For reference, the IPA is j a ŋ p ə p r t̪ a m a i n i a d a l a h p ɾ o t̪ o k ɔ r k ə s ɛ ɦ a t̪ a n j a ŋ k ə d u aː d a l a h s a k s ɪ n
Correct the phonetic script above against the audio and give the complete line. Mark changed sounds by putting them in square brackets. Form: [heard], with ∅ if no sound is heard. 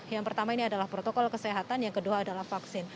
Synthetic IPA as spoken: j a ŋ p ə [∅] r t̪ a m a i n i a d a l a h p ɾ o t̪ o k ɔ [l] k ə s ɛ ɦ a t̪ a n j a ŋ k ə d u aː d a l a h [f] a k s ɪ n

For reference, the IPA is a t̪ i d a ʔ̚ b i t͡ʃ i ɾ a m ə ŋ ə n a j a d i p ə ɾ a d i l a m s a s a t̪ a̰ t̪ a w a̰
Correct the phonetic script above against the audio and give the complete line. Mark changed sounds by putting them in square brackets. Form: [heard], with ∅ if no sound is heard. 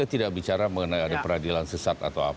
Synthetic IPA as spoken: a t̪ i d a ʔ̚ b i t͡ʃ [a] ɾ a m ə ŋ ə n a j a d [a] p ə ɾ a d i l a [n] s [ə] s a t̪ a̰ t̪ a w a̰

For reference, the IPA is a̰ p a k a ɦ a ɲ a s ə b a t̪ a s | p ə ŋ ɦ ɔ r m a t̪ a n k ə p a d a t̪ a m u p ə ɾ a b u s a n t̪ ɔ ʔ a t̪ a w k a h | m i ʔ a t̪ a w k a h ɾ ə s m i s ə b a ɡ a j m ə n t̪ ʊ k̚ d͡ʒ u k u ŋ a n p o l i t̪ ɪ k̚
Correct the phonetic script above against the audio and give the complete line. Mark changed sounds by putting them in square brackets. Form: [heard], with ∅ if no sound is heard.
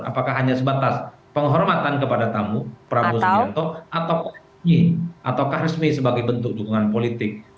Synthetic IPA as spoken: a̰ p a k a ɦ a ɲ a s ə b a t̪ a s | p ə ŋ ɦ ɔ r m a t̪ a n k ə p a d a t̪ a m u p ə ɾ a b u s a n t̪ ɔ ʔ a t̪ a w k a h | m i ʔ a t̪ a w k a h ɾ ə s m i s ə b a ɡ a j [b] ə n t̪ ʊ k̚ d͡ʒ u k u ŋ a n p o l i t̪ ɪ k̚

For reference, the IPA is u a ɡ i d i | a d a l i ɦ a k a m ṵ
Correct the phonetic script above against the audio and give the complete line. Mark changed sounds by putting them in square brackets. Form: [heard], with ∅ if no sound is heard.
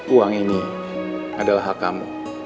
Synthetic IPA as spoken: u a [ŋ] i [n] i | a d a l [a] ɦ a k a m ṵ

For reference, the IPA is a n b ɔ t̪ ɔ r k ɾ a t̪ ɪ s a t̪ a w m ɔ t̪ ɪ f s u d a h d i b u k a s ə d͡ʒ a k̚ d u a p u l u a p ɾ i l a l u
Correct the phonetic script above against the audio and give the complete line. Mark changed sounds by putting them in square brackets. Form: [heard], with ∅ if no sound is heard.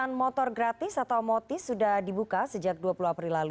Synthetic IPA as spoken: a n [m] ɔ t̪ ɔ r [ɡ] ɾ a t̪ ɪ s a t̪ a w m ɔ t̪ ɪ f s u d a h d i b u k a s ə d͡ʒ a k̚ d u a p u l u a p ɾ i l a l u

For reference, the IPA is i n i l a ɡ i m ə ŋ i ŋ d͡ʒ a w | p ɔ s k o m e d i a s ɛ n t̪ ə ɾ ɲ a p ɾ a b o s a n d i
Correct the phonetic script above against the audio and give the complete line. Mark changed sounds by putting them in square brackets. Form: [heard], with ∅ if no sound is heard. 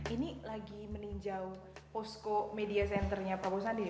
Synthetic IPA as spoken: i n i l a ɡ i m ə [n] i [ɲ] d͡ʒ a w | p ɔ s k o m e d i a s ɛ n t̪ ə [r] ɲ a p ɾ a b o s a n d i

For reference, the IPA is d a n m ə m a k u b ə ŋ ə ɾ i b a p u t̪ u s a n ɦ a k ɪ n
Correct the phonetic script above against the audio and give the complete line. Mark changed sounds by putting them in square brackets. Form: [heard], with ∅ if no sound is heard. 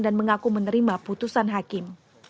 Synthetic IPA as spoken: d a n m ə [ŋ] a k u [m] ə [n] ə ɾ i [m] a p u t̪ u s a n ɦ a k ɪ [m]

